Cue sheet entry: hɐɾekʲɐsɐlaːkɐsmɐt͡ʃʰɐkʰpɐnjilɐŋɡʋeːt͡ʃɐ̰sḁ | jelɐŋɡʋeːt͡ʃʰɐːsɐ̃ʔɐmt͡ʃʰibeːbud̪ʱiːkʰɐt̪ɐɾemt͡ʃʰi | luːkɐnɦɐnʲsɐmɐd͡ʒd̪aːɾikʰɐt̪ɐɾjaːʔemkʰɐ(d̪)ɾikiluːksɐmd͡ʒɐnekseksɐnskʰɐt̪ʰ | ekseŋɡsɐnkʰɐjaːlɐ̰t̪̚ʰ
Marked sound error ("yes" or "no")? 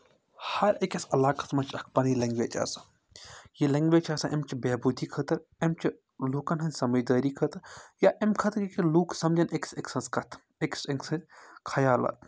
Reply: yes